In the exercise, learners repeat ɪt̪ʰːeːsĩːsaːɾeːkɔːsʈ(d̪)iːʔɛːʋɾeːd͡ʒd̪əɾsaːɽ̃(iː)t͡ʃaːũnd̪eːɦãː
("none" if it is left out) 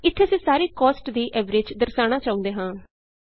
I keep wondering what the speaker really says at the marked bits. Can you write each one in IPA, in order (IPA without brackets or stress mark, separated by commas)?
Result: d̪, aː